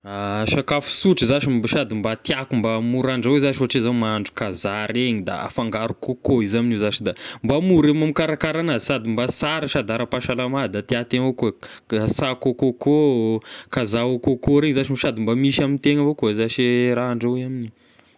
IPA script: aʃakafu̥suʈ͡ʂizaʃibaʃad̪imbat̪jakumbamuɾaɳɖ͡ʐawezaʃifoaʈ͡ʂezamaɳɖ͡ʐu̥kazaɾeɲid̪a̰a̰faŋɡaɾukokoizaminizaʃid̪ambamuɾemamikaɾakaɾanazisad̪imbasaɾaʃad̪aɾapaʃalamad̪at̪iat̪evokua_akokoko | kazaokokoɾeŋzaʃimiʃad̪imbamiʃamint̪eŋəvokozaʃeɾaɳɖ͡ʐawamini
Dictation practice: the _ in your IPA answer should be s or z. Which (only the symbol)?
s